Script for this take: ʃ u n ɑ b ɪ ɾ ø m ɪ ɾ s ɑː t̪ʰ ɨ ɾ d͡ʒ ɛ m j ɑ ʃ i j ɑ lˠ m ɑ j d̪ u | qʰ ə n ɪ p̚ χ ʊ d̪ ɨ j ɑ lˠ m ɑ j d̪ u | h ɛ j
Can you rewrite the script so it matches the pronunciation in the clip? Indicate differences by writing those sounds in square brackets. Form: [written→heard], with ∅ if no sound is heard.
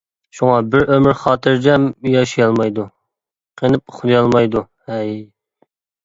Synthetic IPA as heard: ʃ u [n→ŋ] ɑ b ɪ ɾ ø m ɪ ɾ [s→χ] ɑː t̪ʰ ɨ ɾ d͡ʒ ɛ m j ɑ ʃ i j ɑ lˠ m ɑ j d̪ u | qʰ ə n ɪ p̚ χ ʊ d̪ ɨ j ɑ lˠ m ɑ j d̪ u | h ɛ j